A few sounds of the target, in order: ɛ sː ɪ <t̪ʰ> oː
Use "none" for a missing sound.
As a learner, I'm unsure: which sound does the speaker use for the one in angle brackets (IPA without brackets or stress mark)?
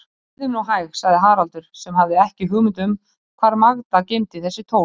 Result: t̪ʰ